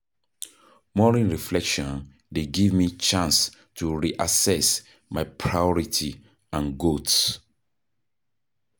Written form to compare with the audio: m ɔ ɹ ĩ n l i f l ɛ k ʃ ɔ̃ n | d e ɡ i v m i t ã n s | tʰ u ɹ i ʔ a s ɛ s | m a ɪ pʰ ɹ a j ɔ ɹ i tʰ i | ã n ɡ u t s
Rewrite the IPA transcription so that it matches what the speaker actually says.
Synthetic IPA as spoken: m ɔ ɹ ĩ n ɹ i f l ɛ k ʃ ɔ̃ n | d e ɡ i v m i t͡ʃ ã n s | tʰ u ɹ i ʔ a s ɛ s | m a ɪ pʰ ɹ a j ɔ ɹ i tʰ i | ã n ɡ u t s